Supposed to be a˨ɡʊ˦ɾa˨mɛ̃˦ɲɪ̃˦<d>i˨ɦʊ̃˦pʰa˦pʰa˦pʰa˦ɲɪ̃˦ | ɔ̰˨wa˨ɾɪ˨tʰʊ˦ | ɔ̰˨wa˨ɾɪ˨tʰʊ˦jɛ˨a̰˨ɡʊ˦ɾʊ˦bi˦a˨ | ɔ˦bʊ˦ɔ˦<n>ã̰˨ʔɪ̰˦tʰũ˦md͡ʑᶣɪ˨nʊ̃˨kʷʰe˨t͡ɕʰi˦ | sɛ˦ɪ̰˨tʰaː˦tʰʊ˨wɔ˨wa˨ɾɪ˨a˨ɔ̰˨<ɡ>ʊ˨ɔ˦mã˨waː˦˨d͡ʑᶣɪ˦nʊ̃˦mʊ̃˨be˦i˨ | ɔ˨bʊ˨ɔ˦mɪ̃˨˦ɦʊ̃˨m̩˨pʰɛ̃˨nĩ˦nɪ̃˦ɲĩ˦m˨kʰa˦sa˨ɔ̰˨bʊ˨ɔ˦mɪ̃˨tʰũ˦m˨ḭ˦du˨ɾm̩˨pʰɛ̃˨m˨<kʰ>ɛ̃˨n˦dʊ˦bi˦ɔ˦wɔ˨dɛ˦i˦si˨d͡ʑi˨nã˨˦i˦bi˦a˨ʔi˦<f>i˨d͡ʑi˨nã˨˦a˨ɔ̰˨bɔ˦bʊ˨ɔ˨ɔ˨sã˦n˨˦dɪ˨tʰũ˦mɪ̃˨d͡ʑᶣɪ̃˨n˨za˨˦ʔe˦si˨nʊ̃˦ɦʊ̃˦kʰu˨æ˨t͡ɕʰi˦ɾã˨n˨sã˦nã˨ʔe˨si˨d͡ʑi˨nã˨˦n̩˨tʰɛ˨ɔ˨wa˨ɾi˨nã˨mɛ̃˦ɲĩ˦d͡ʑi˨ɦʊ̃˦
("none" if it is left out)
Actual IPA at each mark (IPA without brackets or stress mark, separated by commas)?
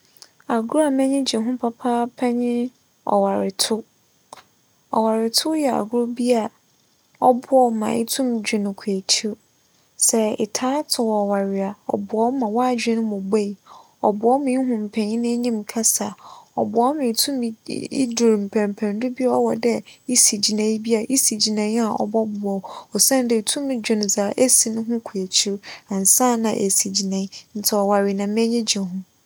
d͡ʑ, m, b, pʰ, s